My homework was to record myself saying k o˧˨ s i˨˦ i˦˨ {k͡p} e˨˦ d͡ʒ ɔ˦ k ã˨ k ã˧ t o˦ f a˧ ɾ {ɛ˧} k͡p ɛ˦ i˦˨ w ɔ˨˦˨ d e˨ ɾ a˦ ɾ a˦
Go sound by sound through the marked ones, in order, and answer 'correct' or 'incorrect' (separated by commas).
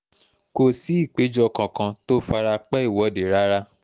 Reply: correct, incorrect